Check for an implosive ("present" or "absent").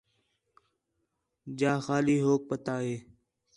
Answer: absent